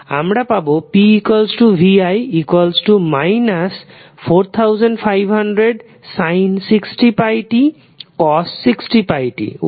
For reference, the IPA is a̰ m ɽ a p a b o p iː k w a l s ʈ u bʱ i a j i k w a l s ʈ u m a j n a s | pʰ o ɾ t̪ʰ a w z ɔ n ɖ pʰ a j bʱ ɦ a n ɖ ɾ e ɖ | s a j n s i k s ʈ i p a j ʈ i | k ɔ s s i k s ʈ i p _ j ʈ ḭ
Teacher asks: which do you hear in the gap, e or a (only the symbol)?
a